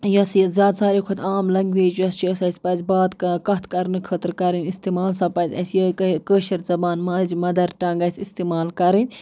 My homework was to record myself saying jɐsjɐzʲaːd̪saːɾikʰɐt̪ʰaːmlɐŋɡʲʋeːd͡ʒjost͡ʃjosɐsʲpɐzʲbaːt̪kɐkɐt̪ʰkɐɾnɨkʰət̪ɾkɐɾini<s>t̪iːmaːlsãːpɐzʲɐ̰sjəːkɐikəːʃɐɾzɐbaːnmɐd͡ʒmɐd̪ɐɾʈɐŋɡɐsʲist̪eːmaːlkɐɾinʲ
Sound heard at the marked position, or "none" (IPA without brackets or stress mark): s